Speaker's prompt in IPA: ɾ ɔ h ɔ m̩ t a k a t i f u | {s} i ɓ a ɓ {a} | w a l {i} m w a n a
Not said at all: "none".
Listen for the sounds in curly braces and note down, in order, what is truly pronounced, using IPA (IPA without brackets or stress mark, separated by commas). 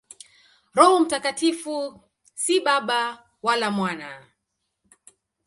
s, a, a